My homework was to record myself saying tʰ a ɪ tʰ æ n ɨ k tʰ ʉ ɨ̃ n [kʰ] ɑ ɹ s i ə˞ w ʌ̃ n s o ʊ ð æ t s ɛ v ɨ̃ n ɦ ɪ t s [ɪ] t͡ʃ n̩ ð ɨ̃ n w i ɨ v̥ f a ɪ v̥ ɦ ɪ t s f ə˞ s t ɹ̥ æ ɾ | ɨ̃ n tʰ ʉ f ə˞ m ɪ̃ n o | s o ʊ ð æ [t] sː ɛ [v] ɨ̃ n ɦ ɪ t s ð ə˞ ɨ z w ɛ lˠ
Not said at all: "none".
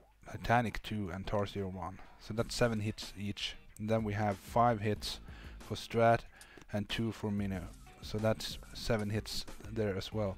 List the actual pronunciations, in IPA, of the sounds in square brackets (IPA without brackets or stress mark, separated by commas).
tʰ, i, t, v